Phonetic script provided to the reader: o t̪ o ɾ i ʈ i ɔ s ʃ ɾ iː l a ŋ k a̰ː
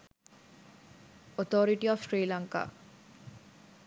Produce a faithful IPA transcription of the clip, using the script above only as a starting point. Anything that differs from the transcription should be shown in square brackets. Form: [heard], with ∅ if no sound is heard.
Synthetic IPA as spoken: o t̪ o ɾ i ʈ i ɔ [f] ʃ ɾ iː l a ŋ k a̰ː